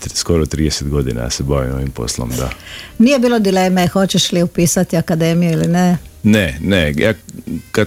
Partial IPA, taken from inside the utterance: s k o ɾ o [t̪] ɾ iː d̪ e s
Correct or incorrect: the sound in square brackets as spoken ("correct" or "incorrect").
correct